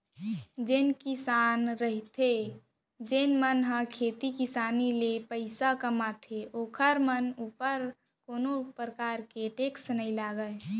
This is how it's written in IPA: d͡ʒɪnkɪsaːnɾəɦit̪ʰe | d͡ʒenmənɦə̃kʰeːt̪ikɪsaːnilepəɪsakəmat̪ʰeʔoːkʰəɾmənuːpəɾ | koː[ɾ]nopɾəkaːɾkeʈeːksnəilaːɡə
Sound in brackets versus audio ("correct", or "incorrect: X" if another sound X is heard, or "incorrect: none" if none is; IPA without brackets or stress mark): incorrect: none